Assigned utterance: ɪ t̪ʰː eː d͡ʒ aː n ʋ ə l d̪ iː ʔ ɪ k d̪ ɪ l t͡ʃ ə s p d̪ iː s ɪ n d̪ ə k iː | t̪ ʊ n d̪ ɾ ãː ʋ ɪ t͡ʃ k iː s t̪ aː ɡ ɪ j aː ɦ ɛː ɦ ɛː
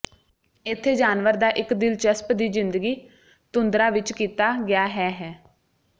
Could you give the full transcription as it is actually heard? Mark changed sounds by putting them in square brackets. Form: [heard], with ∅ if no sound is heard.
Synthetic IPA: ɪ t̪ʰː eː d͡ʒ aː n ʋ ə [ɾ] d̪ [aː] ʔ ɪ k d̪ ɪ l t͡ʃ ə s p d̪ iː [z] ɪ n d̪ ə [ɡ] iː | t̪ ʊ n d̪ ɾ [aː] ʋ ɪ t͡ʃ k iː [∅] t̪ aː ɡ ɪ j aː ɦ ɛː ɦ ɛː